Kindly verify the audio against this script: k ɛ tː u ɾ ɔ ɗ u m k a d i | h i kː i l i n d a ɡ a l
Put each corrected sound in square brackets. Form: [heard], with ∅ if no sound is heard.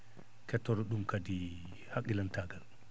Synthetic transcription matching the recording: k ɛ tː [ɔ] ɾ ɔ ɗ u m k a d i | h [a] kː i l [a] n [t] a ɡ a l